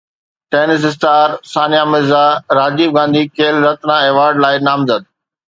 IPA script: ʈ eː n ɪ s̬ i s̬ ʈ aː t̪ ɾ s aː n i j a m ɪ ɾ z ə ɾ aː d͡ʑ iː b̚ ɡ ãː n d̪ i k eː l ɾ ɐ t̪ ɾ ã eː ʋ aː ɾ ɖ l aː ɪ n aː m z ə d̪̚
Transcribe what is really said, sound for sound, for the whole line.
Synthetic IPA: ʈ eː n ɪ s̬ ɪ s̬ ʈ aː ɾ s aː n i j a m ɪ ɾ z a ɾ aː d͡ʑ iː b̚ ɡ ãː n d̪ i k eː l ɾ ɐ t̪ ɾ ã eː ʋ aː ɾ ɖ l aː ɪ n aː m z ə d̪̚